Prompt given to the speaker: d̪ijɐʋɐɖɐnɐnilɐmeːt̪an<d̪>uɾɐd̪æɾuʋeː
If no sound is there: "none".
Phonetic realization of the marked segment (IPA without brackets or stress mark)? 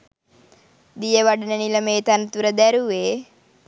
t̪